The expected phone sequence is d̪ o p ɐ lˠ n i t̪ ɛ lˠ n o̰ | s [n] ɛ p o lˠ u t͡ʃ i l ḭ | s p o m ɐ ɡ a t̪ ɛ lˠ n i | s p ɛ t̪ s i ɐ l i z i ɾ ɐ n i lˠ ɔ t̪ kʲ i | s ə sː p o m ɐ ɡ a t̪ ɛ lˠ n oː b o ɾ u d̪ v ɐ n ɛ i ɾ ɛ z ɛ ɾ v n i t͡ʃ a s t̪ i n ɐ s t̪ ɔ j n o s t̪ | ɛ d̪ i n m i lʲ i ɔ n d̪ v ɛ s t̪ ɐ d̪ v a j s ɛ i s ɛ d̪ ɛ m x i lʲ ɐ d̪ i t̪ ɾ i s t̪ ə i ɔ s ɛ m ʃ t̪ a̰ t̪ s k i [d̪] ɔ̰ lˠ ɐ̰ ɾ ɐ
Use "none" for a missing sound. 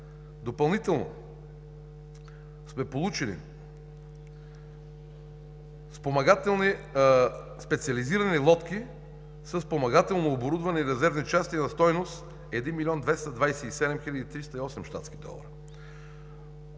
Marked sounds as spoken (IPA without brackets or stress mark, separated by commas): m, d̪